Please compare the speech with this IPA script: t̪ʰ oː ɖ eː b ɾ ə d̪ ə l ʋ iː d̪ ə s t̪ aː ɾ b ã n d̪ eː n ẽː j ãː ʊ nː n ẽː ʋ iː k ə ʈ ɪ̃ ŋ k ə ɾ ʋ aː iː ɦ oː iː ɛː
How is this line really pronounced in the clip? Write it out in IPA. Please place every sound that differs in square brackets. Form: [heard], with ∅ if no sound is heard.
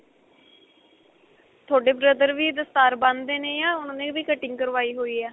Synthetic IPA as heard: t̪ʰ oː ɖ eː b ɾ ə d̪ ə [ɾ] ʋ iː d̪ ə s t̪ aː ɾ b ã n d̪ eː n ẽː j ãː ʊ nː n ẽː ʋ iː k ə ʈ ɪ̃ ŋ k ə ɾ ʋ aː iː ɦ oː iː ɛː